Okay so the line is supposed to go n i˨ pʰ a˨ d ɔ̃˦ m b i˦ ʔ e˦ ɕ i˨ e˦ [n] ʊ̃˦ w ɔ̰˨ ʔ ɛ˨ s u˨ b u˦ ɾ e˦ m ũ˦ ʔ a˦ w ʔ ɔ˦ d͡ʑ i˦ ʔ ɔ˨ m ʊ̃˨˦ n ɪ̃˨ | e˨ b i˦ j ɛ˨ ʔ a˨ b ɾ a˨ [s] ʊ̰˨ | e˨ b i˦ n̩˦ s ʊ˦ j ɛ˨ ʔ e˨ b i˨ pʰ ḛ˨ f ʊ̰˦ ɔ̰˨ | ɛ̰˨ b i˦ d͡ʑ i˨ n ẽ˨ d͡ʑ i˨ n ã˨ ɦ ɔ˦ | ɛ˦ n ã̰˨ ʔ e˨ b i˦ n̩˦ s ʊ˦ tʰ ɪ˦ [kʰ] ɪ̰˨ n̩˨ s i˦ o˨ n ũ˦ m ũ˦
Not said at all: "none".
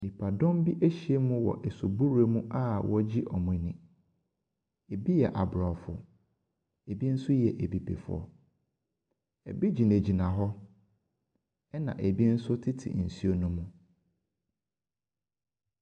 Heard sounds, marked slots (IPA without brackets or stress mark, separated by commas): m, f, tʰ